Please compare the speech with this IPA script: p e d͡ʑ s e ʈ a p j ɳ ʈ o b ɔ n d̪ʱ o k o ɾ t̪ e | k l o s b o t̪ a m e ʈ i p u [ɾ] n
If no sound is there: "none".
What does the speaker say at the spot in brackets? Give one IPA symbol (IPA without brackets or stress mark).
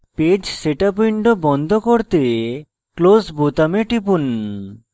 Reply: none